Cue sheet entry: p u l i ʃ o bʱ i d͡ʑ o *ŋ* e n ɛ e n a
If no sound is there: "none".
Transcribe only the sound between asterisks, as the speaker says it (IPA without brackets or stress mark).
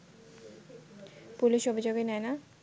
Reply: ɡ